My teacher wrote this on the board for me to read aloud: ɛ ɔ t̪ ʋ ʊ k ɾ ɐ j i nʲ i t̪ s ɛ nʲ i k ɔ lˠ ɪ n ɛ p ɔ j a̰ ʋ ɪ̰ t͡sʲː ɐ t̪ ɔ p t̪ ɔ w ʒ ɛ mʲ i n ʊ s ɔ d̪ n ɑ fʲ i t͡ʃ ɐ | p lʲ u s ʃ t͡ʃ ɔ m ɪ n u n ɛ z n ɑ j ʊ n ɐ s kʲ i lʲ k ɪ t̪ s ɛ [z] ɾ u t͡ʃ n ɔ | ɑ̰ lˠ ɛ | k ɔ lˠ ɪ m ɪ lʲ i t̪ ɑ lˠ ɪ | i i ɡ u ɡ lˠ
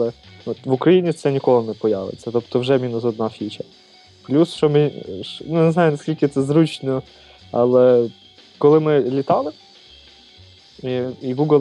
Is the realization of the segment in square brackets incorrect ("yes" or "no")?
no